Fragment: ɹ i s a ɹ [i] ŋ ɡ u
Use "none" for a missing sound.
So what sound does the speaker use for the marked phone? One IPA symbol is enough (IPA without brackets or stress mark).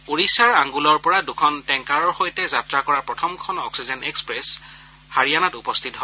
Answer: a